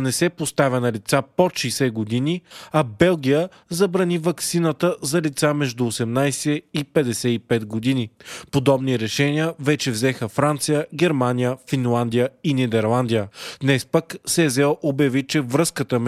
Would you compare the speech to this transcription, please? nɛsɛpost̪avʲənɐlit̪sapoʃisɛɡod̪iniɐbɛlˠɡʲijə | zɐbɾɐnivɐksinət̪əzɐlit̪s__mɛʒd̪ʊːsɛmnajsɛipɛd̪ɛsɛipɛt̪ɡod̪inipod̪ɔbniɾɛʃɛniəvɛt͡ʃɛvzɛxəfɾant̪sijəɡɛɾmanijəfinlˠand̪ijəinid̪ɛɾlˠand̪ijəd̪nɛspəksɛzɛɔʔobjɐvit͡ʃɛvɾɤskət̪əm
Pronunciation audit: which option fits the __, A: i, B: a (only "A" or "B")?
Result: B